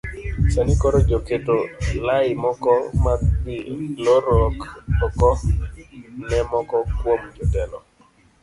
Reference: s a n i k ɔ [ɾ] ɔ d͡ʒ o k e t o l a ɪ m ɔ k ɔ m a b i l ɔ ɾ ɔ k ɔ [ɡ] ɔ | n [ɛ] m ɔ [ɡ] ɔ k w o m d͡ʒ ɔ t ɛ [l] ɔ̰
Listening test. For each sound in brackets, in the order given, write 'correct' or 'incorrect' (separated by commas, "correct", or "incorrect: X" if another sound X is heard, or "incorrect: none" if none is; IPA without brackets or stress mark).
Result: correct, incorrect: k, correct, incorrect: k, correct